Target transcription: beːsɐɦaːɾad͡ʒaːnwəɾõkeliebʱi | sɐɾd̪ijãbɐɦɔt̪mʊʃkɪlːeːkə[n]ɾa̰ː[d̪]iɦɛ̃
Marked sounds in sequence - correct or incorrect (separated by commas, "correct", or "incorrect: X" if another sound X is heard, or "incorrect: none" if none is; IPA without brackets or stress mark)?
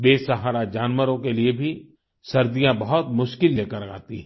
incorrect: none, incorrect: t̪